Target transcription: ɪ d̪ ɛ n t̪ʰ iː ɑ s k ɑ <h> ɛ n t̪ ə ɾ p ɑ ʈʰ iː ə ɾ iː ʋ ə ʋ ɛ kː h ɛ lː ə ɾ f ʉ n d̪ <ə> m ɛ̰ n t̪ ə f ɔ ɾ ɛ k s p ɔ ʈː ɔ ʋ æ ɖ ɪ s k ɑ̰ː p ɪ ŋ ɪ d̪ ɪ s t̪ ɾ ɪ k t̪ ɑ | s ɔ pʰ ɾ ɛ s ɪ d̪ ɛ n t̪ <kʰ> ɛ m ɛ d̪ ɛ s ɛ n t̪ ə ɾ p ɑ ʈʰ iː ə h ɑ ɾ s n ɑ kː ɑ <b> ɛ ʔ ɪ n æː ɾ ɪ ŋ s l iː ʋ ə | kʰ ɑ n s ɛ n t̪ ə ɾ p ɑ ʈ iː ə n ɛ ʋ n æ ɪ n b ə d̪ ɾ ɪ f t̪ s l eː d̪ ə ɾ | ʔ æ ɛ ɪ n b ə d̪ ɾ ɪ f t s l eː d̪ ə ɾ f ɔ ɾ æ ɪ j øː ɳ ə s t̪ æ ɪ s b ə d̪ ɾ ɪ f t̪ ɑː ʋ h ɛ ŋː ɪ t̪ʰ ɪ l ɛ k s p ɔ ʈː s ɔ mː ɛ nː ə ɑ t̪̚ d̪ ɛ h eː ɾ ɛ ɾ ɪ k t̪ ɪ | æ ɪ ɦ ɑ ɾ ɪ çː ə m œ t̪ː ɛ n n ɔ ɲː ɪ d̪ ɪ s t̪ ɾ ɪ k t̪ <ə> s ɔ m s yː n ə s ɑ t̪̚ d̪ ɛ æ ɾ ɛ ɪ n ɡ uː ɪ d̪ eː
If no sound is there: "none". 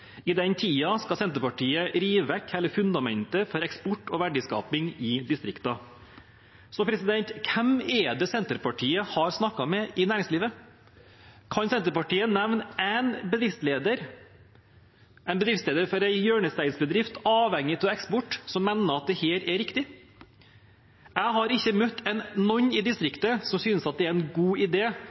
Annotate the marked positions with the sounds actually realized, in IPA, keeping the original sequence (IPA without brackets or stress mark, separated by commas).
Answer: s, ɑ, kʰ, m, ə